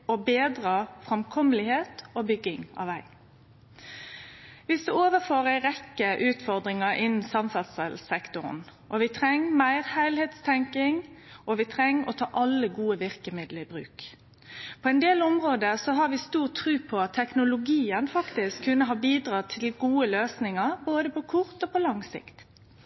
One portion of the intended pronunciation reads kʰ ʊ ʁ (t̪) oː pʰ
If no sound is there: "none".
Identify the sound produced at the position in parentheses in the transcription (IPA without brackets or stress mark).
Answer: t̪